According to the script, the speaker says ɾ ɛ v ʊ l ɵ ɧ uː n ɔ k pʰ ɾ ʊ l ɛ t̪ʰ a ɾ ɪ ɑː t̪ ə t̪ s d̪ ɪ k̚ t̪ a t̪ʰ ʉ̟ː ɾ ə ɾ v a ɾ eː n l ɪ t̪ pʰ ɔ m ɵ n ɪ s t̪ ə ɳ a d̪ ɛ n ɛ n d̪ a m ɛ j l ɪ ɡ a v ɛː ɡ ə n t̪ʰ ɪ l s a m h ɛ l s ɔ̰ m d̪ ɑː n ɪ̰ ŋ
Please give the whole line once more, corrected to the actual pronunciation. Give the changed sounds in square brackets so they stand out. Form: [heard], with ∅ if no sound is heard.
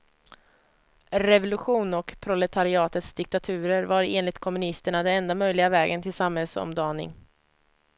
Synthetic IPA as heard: ɾ ɛ v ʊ l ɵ ɧ uː n ɔ k pʰ ɾ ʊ l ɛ t̪ʰ a ɾ ɪ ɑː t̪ ə t̪ s d̪ ɪ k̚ t̪ a t̪ʰ ʉ̟ː ɾ ə ɾ v a ɾ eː n l ɪ t̪ [kʰ] ɔ m ɵ n ɪ s t̪ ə ɳ a d̪ ɛ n ɛ n d̪ a m [œ] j l ɪ ɡ a v ɛː ɡ ə n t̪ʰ ɪ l s a m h ɛ l s ɔ̰ m d̪ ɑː n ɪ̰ ŋ